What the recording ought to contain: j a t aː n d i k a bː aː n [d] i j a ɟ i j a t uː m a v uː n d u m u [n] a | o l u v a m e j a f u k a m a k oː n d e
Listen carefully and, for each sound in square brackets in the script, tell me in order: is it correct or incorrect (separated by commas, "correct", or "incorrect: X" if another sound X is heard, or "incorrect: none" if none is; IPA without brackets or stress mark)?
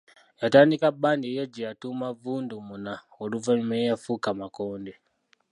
correct, correct